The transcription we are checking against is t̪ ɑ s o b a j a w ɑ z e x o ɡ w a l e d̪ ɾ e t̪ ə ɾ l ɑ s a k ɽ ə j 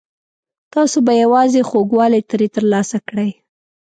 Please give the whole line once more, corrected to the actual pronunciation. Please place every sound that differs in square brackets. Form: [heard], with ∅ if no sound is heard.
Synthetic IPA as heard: t̪ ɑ s o b a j a w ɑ z e x o ɡ w [ɑ] l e [t̪] ɾ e t̪ ə ɾ l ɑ s a k ɽ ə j